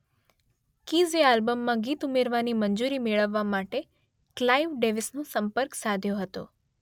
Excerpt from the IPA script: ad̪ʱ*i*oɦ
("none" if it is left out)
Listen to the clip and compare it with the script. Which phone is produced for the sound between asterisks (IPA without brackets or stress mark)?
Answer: j